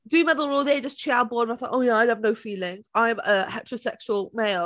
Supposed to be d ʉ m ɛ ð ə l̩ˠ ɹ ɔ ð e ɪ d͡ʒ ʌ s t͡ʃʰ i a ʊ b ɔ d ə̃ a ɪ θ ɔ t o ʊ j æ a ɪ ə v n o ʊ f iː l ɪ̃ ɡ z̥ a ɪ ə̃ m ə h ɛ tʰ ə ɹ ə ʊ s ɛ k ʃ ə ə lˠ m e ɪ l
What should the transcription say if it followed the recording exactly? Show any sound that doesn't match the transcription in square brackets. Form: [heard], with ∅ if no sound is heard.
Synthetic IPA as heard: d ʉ m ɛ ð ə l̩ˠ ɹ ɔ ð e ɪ d͡ʒ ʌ s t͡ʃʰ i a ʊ b ɔ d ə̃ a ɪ θ ɔ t o ʊ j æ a ɪ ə v n o ʊ f iː l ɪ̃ [ŋ] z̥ a ɪ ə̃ m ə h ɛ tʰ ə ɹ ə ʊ s ɛ k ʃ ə ə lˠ m e ɪ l